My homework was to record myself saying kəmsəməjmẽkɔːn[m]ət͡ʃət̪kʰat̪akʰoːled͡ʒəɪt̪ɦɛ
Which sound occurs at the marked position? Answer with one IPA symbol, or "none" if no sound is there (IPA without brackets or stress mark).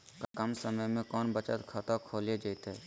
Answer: b